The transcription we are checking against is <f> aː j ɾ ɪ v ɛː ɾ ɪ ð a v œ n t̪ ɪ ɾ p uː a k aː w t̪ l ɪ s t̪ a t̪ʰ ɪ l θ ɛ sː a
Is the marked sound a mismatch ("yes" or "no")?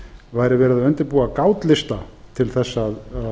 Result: yes